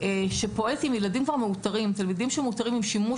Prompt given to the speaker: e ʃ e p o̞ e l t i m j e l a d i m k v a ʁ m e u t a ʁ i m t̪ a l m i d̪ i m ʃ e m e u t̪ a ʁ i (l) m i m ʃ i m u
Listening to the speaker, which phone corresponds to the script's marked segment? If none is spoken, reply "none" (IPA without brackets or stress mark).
none